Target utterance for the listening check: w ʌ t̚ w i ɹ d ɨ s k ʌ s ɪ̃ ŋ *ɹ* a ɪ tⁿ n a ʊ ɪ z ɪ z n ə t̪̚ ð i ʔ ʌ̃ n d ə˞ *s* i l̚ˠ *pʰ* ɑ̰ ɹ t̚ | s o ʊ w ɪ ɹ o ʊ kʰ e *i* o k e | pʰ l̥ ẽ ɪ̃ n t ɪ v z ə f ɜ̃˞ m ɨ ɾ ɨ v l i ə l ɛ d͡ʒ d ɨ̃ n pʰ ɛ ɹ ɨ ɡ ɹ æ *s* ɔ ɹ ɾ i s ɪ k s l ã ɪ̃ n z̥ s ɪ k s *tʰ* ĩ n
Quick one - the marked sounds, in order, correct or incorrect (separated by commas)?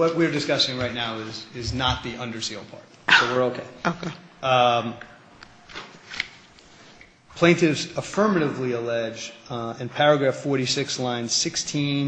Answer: correct, correct, correct, incorrect, incorrect, correct